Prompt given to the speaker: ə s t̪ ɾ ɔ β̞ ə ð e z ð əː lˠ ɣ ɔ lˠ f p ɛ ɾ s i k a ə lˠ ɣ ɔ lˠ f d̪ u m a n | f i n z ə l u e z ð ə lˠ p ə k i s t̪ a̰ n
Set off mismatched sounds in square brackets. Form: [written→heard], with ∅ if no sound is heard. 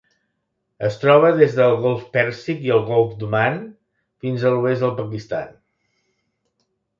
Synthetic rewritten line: ə s t̪ ɾ ɔ β̞ ə ð e z ð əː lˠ ɣ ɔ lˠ f p ɛ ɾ s i k [a→i] ə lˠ ɣ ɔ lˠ f d̪ u m a n | f i n z ə l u e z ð ə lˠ p ə k i s t̪ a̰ n